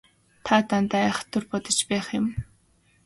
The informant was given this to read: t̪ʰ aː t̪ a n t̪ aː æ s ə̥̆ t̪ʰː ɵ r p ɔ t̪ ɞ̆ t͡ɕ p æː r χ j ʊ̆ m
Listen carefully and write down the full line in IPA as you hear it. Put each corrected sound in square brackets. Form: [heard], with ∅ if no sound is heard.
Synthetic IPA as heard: t̪ʰ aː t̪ a n t̪ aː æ [χ] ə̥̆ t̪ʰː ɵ r p ɔ t̪ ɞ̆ t͡ɕ p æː [∅] χ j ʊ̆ m